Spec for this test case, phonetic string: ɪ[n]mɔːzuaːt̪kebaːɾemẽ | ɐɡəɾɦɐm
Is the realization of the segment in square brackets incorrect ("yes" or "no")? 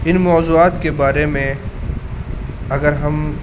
no